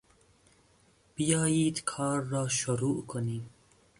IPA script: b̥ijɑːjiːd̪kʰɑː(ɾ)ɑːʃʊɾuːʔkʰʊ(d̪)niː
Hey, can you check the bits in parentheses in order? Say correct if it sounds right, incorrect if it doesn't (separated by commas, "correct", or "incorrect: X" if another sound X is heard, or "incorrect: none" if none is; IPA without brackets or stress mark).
incorrect: ɾː, incorrect: none